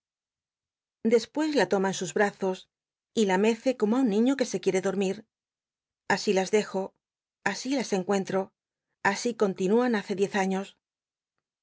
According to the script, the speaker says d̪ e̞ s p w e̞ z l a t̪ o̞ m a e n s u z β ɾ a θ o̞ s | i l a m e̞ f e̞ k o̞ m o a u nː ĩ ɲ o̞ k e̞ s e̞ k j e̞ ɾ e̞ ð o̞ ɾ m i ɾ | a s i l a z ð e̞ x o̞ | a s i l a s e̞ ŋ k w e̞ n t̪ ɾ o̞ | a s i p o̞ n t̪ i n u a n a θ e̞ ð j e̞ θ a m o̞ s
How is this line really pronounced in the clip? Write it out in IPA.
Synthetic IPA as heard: d̪ e̞ s p w e̞ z l a t̪ o̞ m a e n s u z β ɾ a θ o̞ s | i l a m e̞ θ e̞ k o̞ m o a u nː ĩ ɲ o̞ k e̞ s e̞ k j e̞ ɾ e̞ ð o̞ ɾ m i ɾ | a s i l a z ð e̞ x o̞ | a s i l a s e̞ ŋ k w e̞ n t̪ ɾ o̞ | a s i k o̞ n t̪ i n u a n a θ e̞ ð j e̞ θ a ɲ o̞ s